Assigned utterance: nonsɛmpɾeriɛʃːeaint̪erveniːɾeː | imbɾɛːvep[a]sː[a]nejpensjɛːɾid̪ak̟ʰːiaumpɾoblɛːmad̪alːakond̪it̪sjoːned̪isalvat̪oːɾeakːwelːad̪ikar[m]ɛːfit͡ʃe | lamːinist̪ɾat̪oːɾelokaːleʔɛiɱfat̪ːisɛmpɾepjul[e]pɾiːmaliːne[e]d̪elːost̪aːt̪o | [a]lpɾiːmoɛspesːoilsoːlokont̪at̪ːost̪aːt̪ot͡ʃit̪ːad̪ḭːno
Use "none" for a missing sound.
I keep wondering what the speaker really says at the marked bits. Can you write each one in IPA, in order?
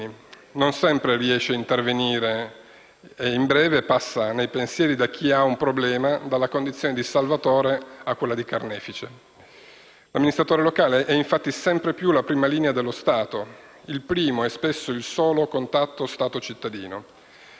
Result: a, a, n, a, a, i

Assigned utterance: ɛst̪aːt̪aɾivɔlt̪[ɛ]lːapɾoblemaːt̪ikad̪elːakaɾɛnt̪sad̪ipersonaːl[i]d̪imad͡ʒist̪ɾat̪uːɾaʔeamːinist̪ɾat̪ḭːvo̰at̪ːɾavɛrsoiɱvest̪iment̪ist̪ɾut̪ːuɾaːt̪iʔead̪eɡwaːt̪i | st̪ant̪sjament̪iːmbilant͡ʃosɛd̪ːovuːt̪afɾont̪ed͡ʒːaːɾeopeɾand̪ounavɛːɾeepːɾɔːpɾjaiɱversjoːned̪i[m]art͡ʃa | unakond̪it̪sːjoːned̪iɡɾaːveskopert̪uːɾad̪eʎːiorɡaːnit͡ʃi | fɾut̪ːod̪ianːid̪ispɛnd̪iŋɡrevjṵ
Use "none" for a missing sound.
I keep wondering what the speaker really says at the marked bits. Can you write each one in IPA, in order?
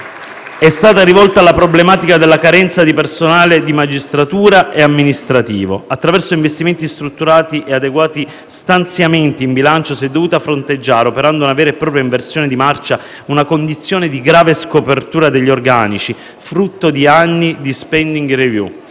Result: a, e, m

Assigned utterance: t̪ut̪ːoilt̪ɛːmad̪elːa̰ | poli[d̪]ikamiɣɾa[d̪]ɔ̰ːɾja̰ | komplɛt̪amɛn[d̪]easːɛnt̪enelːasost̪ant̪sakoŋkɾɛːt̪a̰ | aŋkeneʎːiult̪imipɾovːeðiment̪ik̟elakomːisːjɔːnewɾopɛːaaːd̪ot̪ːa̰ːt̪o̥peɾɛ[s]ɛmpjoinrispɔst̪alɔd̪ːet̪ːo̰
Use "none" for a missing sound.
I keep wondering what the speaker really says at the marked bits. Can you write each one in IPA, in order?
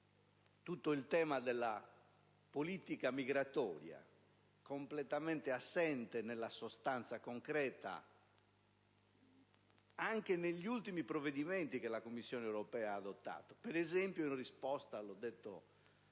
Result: t̪, t̪, t̪, z

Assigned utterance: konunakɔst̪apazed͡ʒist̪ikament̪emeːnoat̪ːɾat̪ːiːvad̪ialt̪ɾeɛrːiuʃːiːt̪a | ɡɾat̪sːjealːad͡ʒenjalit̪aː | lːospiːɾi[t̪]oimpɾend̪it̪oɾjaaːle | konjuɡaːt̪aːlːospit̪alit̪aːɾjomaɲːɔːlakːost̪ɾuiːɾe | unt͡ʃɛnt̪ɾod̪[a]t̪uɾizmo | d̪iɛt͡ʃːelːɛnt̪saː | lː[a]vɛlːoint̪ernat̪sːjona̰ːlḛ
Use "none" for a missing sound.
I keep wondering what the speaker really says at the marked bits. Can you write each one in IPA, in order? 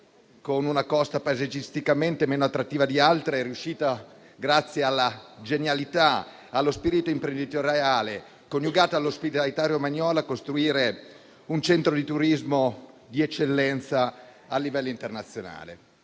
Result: t̪, i, i

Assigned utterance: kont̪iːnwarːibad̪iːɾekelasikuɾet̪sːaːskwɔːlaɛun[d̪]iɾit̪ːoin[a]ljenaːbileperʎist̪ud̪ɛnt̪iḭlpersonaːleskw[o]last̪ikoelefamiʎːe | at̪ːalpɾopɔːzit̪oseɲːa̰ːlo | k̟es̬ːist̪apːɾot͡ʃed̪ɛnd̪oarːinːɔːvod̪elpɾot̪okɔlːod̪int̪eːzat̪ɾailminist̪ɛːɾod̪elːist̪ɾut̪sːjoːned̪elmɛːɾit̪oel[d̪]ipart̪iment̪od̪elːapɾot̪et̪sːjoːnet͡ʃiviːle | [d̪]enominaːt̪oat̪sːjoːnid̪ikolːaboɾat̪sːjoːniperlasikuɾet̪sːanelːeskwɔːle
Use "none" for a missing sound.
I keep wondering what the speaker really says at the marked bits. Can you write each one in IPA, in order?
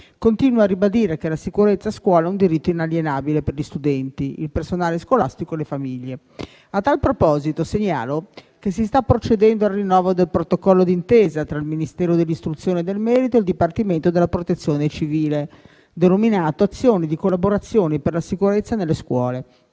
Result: d̪, a, o, d̪, d̪

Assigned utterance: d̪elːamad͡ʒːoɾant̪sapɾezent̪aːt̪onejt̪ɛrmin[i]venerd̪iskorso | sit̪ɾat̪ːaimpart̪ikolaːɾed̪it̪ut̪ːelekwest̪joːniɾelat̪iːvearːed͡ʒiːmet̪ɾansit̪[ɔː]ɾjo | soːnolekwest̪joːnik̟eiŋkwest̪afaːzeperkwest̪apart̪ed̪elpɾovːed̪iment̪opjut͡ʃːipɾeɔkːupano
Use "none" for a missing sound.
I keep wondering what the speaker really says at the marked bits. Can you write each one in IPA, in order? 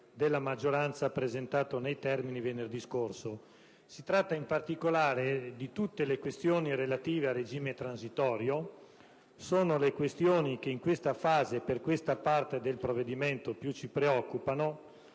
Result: i, ɔː

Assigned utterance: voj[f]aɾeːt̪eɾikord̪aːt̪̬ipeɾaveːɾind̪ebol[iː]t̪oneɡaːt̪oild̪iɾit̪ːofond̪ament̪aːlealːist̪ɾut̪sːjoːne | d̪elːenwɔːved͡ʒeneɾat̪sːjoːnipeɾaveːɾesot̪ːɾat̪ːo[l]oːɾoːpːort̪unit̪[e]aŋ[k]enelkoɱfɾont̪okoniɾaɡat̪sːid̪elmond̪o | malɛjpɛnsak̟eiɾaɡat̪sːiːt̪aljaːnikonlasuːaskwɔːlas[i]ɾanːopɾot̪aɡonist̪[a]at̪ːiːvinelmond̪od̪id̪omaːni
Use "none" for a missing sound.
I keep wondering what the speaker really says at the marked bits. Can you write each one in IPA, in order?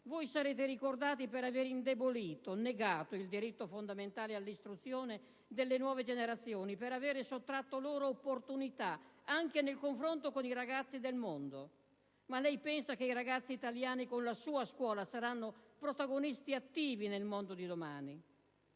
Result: s, iː, l, a, k, a, i

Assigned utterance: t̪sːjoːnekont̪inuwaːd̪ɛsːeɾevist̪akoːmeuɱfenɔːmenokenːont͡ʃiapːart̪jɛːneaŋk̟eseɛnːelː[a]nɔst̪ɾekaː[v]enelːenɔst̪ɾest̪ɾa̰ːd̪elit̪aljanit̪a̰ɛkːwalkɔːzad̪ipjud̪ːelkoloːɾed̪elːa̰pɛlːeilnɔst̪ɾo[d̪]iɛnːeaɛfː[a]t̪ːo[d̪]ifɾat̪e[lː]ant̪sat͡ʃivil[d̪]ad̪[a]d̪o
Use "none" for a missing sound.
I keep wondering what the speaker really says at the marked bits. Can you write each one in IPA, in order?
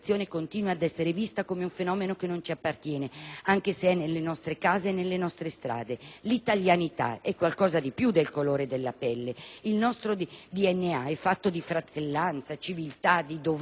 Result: e, z, d̪, a, d̪, lː, t̪, i

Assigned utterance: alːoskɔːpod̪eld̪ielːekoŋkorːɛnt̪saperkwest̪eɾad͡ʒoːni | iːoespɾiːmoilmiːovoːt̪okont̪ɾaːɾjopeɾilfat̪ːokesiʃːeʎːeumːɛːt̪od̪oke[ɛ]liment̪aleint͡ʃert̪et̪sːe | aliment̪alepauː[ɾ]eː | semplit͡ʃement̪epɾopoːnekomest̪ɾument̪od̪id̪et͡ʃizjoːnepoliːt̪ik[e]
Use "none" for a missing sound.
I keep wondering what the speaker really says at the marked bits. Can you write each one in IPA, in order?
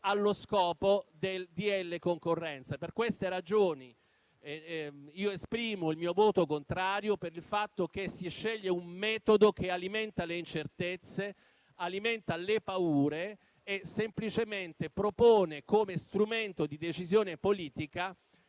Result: a, ɾ, a

